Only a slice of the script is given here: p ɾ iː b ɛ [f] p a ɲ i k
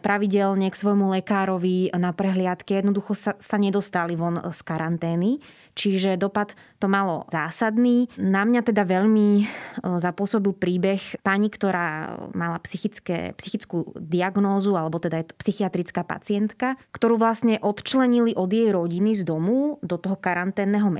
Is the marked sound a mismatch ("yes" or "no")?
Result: yes